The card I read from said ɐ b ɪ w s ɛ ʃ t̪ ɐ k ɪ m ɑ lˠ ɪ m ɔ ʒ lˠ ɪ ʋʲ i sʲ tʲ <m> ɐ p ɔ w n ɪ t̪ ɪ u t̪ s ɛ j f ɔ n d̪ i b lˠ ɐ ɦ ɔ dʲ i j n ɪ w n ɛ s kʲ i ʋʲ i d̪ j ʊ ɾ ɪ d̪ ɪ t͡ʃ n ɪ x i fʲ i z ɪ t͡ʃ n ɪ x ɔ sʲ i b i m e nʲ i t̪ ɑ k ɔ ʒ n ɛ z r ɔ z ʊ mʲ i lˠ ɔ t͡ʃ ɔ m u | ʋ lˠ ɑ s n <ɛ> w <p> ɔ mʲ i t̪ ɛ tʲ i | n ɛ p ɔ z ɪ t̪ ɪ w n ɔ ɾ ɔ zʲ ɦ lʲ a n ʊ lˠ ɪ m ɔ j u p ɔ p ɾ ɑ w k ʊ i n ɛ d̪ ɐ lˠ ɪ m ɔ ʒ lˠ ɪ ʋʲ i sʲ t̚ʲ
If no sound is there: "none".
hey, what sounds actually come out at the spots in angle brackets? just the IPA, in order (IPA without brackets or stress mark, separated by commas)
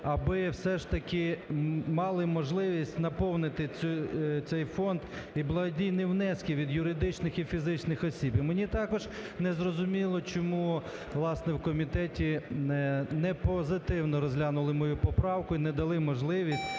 n, ɛ, k